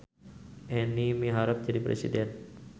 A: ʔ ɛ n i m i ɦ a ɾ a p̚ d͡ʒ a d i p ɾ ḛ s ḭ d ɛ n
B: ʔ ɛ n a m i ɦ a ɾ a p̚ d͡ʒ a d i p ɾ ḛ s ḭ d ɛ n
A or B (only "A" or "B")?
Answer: A